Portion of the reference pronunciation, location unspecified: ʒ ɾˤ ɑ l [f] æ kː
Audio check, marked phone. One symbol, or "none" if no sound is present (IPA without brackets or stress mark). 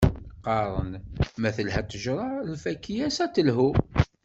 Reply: f